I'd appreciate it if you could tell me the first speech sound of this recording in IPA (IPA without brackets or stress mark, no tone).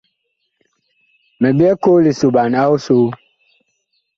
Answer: m